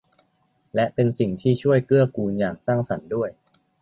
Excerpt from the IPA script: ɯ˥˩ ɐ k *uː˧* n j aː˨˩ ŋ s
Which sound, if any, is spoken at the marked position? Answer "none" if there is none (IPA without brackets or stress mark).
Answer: uː˧